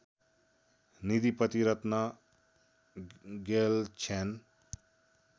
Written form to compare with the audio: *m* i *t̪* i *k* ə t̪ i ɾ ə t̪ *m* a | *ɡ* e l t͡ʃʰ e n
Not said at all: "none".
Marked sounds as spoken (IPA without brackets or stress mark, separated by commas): n, d̪, p, n, ɡ